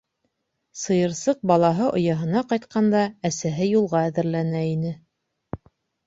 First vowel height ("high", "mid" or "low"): mid